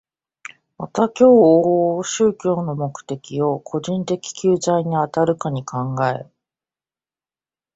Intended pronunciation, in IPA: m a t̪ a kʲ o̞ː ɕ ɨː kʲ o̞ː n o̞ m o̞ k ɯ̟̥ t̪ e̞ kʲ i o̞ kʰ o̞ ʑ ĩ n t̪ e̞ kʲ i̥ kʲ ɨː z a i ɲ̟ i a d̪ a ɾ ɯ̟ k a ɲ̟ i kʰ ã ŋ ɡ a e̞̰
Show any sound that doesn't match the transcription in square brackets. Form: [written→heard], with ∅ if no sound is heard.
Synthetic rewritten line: m a t̪ a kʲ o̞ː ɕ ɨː kʲ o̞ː n o̞ m o̞ k ɯ̟̥ t̪ e̞ kʲ i o̞ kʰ o̞ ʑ ĩ n t̪ e̞ kʲ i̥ kʲ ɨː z a i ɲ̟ i a [d̪→t̪] a ɾ ɯ̟ k a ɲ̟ i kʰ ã ŋ ɡ a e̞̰